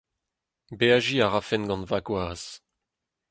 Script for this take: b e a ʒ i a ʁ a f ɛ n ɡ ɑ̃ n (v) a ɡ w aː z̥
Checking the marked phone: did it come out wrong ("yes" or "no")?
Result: no